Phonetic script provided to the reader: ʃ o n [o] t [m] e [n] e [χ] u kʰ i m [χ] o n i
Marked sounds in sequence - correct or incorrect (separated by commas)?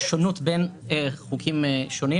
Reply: incorrect, incorrect, correct, correct, incorrect